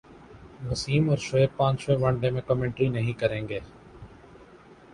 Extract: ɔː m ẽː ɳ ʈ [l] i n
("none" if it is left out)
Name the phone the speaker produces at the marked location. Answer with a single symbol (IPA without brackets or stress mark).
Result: ɾ